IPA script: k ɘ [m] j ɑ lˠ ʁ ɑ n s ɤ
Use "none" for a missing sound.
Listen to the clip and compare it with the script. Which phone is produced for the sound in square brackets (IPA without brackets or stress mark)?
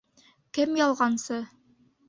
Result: m